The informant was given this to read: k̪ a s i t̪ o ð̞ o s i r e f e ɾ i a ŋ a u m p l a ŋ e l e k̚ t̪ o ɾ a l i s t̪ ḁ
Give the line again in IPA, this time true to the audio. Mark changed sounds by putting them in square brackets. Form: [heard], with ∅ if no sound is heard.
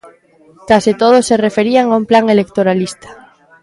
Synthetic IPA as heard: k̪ a s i t̪ o ð̞ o s [e] r e f e ɾ i a ŋ a u m p l a ŋ e l e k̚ t̪ o ɾ a l i s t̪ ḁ